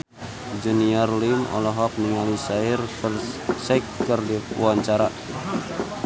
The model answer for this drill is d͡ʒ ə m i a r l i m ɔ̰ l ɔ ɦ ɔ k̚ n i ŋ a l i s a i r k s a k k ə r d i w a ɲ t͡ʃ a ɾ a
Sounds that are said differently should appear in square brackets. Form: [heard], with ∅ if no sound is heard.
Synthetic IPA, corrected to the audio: d͡ʒ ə [n] i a r l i m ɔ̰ l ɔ ɦ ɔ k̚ n i ŋ a l i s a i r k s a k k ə r d i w a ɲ t͡ʃ a ɾ a